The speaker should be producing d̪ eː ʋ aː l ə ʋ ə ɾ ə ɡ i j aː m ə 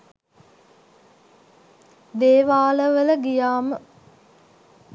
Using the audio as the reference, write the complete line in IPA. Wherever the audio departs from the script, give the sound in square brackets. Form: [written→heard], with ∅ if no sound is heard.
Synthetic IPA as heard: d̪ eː ʋ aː l ə ʋ ə [ɾ→l] ə ɡ i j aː m ə